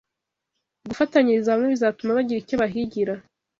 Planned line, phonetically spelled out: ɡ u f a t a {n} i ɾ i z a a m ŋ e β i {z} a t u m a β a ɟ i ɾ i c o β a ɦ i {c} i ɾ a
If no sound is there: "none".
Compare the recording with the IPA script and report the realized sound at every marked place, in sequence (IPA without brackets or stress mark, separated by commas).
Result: ɲ, z, ɟ